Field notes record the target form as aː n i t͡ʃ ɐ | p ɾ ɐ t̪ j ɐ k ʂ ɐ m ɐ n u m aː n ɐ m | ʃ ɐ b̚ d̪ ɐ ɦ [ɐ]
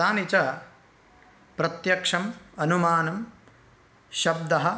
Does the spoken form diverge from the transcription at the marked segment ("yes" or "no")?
no